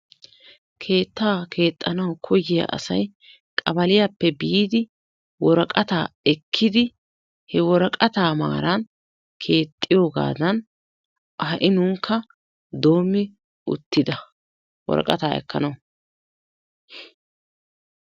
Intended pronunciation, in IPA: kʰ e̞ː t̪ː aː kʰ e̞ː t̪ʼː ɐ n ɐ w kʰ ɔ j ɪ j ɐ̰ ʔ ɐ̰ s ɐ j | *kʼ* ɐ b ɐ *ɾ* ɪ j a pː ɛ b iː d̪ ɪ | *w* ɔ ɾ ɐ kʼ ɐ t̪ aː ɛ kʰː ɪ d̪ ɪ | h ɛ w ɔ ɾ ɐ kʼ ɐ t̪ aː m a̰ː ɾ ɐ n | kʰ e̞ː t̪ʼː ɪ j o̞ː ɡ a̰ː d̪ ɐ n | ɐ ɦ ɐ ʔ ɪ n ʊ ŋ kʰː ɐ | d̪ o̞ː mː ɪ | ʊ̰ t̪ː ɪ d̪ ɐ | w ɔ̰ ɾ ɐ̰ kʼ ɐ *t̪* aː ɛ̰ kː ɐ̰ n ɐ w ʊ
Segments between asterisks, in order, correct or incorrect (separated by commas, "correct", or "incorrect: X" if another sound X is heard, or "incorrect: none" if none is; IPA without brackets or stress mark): correct, incorrect: l, correct, correct